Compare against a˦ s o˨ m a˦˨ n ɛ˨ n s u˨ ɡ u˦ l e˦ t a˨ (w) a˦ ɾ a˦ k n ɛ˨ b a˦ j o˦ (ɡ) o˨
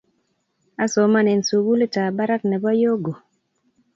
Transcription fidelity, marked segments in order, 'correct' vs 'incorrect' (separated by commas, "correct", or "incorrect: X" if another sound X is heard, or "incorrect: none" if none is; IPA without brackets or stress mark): incorrect: b, correct